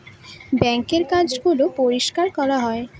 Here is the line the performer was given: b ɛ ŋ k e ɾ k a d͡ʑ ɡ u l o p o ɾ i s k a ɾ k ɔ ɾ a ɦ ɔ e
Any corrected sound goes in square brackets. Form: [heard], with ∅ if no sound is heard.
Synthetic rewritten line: b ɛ ŋ k e ɾ k a d͡ʑ ɡ u l o p o ɾ i [ʃ] k a ɾ k ɔ ɾ a ɦ ɔ e